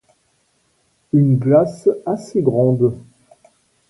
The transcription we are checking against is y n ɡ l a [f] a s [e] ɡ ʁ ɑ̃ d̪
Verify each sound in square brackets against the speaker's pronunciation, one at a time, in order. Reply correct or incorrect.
incorrect, correct

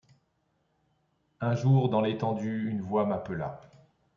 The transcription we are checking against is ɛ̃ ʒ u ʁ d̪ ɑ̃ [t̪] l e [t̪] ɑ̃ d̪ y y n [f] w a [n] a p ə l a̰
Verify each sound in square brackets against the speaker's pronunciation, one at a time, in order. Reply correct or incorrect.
incorrect, correct, incorrect, incorrect

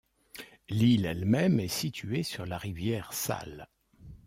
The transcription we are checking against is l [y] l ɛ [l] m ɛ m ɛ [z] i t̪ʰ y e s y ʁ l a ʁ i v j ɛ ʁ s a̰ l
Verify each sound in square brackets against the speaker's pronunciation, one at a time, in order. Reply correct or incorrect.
incorrect, correct, incorrect

